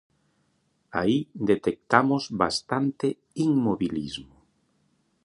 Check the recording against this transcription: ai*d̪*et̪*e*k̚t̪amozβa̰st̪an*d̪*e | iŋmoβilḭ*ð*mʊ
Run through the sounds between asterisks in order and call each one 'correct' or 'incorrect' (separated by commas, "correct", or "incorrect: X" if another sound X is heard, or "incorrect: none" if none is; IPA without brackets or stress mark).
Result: correct, correct, incorrect: t̪, incorrect: z